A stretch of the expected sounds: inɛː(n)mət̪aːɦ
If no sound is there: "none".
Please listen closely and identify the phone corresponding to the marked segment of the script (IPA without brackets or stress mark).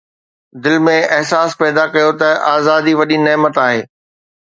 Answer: none